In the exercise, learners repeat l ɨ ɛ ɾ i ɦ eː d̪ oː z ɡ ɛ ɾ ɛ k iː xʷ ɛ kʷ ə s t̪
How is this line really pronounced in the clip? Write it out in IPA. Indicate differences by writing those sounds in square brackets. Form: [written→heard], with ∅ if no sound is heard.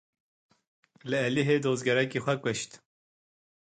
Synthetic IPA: l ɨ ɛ [ɾ→l] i ɦ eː d̪ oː z ɡ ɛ ɾ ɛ k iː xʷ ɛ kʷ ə [s→ʃ] t̪